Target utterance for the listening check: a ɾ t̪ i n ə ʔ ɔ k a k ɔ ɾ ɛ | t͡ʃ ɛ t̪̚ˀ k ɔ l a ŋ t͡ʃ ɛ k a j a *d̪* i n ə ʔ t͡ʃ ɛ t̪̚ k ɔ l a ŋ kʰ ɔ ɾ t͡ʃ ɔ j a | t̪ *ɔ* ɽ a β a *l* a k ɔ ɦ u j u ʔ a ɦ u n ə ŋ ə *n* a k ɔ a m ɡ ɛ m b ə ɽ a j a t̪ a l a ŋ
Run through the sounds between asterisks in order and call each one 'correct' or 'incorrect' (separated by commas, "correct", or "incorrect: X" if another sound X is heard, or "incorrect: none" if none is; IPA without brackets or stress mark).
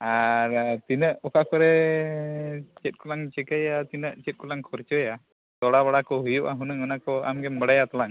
incorrect: t̪, correct, incorrect: ɽ, correct